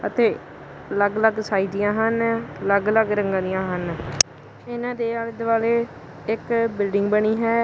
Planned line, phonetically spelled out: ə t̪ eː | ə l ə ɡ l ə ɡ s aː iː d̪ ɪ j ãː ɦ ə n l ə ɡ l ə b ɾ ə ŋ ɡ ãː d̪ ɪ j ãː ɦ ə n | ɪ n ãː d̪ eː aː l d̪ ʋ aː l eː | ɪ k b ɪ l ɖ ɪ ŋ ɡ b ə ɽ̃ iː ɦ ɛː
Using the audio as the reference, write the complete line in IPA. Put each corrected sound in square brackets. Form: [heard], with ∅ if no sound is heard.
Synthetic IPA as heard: ə t̪ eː | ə l ə ɡ l ə ɡ s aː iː d̪ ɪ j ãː ɦ ə n l ə ɡ l ə [ɡ] ɾ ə ŋ ɡ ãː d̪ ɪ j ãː ɦ ə n | ɪ n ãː d̪ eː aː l d̪ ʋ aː l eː | ɪ k b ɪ l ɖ ɪ ŋ ɡ b ə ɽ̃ iː ɦ ɛː